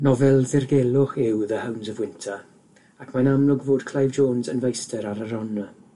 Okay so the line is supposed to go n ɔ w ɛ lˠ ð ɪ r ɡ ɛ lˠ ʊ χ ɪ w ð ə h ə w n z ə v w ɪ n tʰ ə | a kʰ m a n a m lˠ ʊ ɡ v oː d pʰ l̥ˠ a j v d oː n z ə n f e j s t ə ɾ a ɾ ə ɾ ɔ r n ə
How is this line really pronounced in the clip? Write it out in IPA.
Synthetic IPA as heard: n ɔ v ɛ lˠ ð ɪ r ɡ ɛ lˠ ʊ χ ɪ w ð ə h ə w n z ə v w ɪ n tʰ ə | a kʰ m a n a m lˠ ʊ ɡ v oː d kʰ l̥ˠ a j v d͡ʒ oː n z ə n v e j s t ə ɾ a ɾ ə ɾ ɔ n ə